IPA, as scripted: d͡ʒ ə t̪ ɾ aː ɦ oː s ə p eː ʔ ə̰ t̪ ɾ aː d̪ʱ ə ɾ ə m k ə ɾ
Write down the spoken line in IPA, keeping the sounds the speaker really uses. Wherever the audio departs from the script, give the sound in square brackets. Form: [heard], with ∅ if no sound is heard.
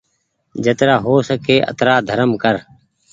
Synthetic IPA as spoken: d͡ʒ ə t̪ ɾ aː ɦ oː s ə [k] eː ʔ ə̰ t̪ ɾ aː d̪ʱ ə ɾ ə m k ə ɾ